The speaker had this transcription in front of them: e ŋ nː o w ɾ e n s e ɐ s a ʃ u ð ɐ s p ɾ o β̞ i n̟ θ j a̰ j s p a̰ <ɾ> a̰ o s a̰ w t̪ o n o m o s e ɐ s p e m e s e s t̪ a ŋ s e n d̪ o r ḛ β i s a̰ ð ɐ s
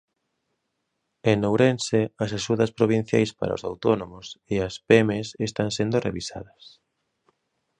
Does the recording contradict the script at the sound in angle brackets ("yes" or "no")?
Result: no